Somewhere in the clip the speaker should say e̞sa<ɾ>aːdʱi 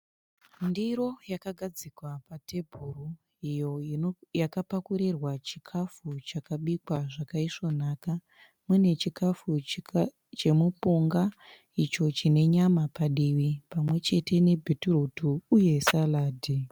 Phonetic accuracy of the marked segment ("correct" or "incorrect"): incorrect